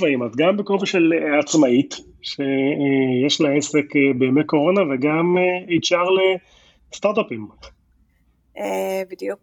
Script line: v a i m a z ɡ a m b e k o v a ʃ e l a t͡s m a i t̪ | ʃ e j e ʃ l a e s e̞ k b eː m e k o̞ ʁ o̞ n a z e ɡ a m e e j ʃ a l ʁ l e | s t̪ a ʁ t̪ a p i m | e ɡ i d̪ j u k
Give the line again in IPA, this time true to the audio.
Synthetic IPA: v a i m a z ɡ a m b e k o v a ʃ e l a t͡s m a i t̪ | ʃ e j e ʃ l a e s e̞ k b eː m e k o̞ ʁ o̞ n a v e ɡ a m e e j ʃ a ʁ l e | s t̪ a ʁ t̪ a p i m | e b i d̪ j u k